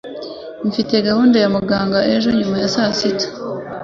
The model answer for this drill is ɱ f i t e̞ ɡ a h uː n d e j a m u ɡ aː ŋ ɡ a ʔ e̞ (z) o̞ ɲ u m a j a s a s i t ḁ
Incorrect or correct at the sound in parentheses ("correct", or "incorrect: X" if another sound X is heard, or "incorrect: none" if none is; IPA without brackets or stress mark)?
incorrect: ʒ